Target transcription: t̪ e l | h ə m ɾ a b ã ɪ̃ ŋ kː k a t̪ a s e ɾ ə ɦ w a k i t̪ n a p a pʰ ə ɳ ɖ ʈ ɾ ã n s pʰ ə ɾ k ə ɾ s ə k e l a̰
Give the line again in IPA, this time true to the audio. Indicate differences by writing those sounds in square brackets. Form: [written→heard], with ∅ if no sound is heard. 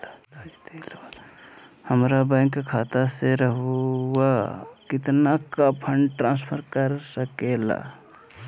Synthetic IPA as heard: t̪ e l | h ə m ɾ a b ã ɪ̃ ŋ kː [k→kʰ] a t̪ a s e ɾ ə ɦ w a k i t̪ n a [p→k] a pʰ ə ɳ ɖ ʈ ɾ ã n s pʰ ə ɾ k ə ɾ s ə k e l a̰